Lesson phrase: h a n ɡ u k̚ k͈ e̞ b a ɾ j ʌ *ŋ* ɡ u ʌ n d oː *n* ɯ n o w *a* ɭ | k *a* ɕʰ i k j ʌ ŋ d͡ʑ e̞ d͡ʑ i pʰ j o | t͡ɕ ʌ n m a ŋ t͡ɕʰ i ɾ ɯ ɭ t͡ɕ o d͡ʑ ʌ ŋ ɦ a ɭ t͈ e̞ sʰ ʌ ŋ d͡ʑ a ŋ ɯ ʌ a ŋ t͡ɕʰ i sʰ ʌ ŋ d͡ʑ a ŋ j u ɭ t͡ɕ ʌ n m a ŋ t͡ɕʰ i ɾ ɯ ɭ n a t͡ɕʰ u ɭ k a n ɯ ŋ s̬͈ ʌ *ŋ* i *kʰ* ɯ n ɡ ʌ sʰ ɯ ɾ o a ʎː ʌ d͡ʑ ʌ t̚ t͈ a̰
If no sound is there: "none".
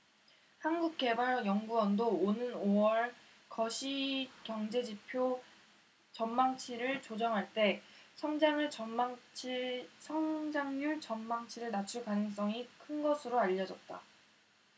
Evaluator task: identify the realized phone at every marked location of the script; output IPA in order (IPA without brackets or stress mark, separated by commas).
ŋ, n, ʌ, ʌ, ŋ, kʰ